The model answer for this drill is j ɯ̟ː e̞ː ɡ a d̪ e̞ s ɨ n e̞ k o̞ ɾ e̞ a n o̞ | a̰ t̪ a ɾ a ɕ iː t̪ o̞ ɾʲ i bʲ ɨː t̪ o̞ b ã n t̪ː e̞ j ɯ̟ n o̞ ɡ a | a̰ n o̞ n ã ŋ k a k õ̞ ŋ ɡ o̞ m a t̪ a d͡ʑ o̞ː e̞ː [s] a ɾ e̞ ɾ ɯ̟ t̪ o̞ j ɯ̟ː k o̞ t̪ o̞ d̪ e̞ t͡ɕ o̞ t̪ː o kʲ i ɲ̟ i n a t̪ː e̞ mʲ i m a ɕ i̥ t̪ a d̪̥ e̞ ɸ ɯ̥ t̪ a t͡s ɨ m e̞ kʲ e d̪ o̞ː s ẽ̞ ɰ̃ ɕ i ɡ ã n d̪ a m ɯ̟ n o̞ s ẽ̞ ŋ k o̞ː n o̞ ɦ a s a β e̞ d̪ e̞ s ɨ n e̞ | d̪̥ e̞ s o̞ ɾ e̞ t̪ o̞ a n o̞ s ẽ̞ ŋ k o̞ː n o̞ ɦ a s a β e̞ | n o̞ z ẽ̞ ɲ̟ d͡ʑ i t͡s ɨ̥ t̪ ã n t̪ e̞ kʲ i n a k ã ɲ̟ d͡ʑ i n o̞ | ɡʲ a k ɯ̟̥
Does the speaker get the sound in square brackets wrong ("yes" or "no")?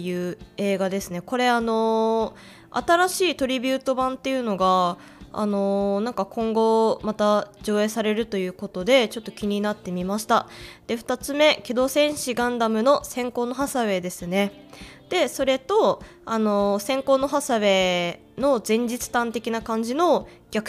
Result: no